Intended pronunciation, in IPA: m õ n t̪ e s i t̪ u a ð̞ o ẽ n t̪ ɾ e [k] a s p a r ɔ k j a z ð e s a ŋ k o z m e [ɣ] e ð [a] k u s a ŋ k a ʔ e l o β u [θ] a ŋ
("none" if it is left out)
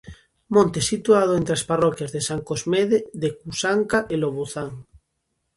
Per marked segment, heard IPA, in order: none, ð, e, θ

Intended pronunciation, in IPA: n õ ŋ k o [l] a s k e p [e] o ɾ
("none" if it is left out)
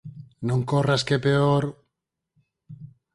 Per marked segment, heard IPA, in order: r, e

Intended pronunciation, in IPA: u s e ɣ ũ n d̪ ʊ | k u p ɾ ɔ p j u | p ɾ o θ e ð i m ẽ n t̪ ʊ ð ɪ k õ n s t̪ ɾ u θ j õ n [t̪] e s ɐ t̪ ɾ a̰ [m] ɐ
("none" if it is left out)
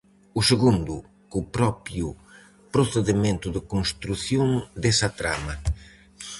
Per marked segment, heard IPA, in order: d̪, m

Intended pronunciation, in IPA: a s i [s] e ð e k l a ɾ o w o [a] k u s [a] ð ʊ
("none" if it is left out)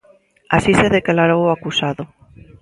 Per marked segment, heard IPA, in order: s, a, a

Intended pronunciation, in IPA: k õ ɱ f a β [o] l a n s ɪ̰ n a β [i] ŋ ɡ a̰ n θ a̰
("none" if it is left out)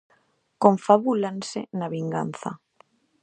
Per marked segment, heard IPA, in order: u, i

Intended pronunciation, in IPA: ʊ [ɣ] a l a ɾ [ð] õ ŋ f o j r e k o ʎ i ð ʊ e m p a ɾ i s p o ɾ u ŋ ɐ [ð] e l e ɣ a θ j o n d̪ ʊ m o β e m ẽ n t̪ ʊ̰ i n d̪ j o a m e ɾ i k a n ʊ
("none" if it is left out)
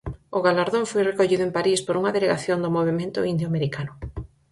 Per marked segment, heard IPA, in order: ɣ, ð, ð

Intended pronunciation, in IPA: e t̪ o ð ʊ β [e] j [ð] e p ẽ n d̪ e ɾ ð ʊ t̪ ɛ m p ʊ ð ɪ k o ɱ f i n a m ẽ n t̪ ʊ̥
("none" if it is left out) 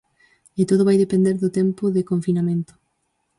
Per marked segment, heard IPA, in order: a, ð

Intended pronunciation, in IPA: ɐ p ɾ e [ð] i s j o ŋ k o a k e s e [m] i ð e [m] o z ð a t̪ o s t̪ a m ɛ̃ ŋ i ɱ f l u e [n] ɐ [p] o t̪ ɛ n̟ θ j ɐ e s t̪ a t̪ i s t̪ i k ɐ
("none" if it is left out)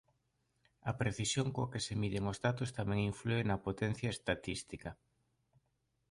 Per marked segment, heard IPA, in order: θ, m, ŋ, n, p

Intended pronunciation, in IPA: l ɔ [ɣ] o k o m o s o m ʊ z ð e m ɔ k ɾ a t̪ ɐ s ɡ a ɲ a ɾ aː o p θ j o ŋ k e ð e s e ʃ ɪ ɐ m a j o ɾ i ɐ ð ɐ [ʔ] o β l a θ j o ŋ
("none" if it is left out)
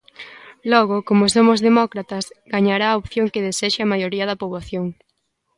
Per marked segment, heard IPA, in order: ɣ, p

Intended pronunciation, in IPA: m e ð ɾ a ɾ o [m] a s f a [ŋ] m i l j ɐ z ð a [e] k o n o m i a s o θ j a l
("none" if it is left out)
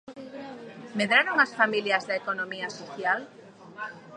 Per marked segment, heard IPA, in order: ŋ, none, e

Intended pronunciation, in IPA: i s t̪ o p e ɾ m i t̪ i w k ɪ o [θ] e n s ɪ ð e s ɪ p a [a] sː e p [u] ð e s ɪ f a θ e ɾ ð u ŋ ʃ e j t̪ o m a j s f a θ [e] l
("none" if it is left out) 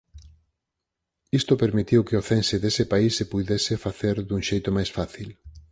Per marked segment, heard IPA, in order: θ, i, u, i

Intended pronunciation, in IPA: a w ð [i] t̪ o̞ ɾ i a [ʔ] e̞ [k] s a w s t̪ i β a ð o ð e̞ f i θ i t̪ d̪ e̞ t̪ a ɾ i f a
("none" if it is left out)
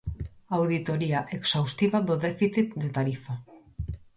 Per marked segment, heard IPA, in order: i, ʔ, k

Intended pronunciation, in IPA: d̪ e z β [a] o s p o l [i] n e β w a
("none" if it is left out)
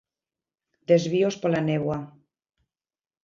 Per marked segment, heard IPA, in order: i, a

